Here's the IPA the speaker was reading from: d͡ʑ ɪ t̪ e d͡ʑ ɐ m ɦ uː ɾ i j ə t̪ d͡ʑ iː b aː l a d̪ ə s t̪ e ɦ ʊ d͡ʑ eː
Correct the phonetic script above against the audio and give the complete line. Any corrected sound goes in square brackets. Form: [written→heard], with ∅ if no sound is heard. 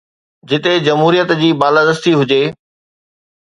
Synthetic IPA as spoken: d͡ʑ ɪ t̪ e d͡ʑ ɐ m ɦ uː ɾ i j ə t̪ d͡ʑ iː b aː l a d̪ ə s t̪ [e→i] ɦ ʊ d͡ʑ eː